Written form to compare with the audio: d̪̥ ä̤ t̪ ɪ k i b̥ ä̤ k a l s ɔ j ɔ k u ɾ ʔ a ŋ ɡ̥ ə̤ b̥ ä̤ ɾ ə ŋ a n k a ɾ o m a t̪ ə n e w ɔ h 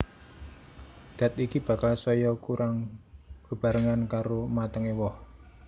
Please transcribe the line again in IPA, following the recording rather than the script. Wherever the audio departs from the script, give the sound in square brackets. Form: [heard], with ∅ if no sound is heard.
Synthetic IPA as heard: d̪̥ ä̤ t̪ [i] k i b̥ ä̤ k a l s ɔ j ɔ k u ɾ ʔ a ŋ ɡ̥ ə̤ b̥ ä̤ ɾ ə ŋ a n k a ɾ o m a t̪ ə [ŋ] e w ɔ h